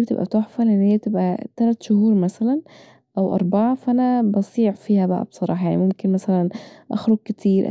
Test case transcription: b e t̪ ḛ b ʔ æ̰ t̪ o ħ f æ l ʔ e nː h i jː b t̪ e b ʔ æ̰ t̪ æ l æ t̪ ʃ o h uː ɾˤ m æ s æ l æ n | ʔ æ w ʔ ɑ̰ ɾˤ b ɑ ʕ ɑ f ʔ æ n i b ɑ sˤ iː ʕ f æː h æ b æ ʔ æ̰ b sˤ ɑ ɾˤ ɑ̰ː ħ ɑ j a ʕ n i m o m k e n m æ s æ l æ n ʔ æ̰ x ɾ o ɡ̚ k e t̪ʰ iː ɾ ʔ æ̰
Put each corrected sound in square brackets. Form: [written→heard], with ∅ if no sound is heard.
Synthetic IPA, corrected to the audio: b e t̪ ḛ b ʔ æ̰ t̪ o ħ f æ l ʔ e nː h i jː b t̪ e b ʔ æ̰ t̪ æ l æ t̪ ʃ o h uː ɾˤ m æ s æ l æ n | ʔ æ w ʔ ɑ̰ ɾˤ b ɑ ʕ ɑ f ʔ æ n [i→æ] b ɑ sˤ iː ʕ f [æː→iː] h æ b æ ʔ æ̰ b sˤ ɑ ɾˤ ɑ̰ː ħ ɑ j a ʕ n i m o m k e n m æ s æ l æ n ʔ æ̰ x ɾ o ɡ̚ k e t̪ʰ iː ɾ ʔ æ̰